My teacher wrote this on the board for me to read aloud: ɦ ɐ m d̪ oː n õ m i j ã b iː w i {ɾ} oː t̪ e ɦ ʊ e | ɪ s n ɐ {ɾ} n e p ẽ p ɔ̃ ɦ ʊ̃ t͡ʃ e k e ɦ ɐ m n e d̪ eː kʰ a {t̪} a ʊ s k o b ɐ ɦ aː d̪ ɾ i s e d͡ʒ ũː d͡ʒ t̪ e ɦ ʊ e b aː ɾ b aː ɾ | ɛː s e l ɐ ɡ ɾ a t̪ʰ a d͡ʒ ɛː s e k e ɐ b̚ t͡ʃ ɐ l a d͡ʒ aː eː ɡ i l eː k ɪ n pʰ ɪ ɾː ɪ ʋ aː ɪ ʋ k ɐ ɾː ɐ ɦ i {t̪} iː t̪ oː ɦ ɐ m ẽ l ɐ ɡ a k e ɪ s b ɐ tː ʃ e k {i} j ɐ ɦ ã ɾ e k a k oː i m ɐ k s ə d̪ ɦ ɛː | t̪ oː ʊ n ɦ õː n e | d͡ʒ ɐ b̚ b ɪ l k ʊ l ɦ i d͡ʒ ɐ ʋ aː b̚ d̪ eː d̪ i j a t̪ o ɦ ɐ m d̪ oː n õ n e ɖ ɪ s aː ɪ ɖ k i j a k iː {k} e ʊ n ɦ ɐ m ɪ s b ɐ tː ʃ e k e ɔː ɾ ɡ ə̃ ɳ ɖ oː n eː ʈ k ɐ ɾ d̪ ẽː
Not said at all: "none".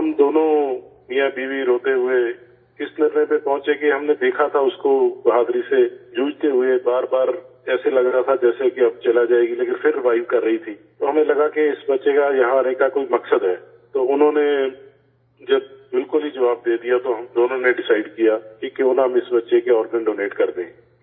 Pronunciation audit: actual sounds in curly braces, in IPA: ɾ, ɾ, t̪ʰ, t̪ʰ, a, k

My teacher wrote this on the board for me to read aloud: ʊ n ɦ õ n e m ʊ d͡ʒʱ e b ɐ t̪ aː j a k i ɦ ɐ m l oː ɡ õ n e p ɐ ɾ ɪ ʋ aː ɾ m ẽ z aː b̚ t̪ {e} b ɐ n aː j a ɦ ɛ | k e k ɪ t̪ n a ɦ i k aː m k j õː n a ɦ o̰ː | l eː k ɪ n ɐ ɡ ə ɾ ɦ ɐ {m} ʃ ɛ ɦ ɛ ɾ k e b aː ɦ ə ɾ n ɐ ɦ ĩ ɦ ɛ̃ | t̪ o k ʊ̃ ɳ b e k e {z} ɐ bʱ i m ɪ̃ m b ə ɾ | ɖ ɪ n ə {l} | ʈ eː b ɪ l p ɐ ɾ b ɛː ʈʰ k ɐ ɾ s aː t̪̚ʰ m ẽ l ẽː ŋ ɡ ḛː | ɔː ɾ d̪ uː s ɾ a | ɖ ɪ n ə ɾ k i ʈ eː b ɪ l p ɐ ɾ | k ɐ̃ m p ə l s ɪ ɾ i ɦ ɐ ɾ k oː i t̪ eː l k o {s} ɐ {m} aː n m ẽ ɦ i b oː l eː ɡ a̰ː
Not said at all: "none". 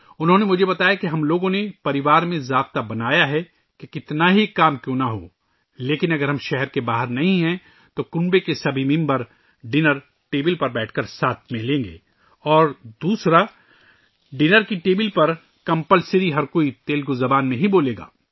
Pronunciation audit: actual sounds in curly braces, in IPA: a, m, s, ɾ, z, b

